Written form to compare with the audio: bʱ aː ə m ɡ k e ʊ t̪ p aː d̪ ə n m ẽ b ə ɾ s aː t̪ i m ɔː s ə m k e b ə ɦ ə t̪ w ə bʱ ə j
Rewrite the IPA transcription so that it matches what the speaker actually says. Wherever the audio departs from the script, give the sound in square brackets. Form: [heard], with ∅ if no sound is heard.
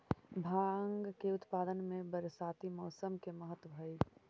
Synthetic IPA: bʱ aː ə [ŋ] ɡ k e ʊ t̪ p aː d̪ ə n m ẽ b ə ɾ s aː t̪ i m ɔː s ə m k e [m] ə ɦ ə t̪ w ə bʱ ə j